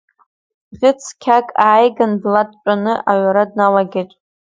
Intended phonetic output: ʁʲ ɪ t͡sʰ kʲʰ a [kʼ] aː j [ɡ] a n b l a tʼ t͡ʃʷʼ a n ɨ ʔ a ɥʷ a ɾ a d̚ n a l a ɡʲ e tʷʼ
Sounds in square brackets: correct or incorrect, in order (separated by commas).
correct, correct